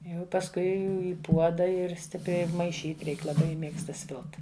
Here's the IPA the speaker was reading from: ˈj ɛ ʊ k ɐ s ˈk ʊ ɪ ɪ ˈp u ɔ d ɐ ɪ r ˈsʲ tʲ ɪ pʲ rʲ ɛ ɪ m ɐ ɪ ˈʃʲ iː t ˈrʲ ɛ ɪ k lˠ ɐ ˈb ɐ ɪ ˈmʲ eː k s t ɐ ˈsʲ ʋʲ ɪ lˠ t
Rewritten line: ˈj ɛ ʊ p ɐ s ˈk ʊ ɪ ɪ ˈp u ɔ d ɐ ɪ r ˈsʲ tʲ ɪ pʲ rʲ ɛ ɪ m ɐ ɪ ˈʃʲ iː t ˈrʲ ɛ ɪ k lˠ ɐ ˈb ɐ ɪ ˈmʲ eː k s t ɐ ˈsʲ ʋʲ ɪ lˠ t